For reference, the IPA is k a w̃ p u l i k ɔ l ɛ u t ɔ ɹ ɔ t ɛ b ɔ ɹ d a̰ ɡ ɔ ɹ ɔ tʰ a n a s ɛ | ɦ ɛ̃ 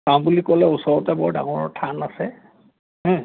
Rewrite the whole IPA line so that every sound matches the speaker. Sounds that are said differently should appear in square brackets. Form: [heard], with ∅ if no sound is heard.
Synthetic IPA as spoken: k a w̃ [b] u l i k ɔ l ɛ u [s] ɔ ɹ ɔ t ɛ b ɔ ɹ d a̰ [ŋ] ɔ ɹ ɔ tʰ a n a s ɛ | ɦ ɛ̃